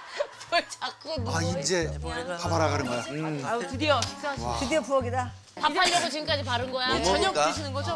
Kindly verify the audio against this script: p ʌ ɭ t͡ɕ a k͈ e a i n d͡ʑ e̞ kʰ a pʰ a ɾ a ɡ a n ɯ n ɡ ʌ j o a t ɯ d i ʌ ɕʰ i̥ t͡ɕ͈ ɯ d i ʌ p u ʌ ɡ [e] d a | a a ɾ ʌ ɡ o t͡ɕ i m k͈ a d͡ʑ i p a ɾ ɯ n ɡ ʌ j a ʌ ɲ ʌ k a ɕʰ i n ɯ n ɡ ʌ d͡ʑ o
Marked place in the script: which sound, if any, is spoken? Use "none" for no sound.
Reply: i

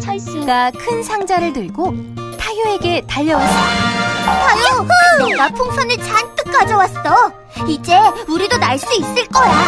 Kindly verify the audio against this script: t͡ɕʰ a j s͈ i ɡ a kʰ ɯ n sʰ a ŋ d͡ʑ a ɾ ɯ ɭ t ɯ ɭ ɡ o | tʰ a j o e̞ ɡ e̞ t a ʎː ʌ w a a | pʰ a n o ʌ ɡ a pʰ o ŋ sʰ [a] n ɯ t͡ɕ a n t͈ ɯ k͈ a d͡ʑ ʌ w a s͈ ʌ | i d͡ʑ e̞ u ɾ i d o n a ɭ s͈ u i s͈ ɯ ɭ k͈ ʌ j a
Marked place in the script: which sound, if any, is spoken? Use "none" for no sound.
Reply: ʌ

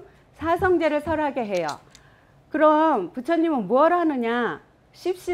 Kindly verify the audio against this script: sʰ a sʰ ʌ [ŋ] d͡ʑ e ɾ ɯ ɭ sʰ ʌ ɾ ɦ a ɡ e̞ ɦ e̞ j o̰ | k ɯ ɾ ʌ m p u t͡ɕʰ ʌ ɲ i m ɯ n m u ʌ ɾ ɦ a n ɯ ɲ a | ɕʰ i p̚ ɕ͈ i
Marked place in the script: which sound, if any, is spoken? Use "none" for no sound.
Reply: ŋ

